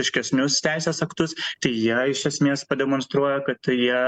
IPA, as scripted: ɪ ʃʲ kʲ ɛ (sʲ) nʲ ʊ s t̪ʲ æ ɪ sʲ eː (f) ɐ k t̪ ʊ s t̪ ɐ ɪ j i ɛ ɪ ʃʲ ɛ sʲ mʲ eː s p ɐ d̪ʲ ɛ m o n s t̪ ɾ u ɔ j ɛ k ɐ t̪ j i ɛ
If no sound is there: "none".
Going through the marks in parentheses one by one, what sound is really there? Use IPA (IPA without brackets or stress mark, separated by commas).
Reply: sʲ, s